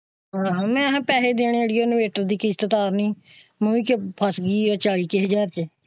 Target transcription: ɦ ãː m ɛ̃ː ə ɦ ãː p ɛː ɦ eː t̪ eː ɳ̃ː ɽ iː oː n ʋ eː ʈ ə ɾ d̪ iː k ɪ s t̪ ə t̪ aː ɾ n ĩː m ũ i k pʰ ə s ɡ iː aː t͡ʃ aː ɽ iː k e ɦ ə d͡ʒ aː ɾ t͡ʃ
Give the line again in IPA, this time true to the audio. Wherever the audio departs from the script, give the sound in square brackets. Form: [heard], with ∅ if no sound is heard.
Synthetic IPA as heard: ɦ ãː m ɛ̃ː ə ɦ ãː p ɛː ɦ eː [d̪] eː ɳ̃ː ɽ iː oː n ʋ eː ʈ ə ɾ d̪ iː k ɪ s t̪ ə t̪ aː ɾ n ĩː m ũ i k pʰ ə s ɡ iː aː t͡ʃ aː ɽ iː k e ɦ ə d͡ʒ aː ɾ t͡ʃ